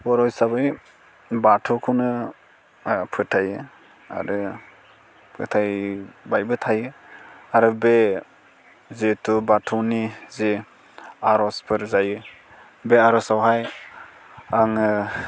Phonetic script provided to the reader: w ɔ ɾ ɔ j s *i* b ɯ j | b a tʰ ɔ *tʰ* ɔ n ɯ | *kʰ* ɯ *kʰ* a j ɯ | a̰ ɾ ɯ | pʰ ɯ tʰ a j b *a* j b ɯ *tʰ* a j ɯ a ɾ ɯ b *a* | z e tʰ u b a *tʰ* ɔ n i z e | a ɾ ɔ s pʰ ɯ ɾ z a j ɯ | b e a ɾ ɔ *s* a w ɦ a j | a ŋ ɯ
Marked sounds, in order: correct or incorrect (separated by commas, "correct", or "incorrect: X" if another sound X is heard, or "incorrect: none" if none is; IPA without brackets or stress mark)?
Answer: incorrect: a, incorrect: kʰ, incorrect: pʰ, incorrect: tʰ, correct, correct, incorrect: e, correct, correct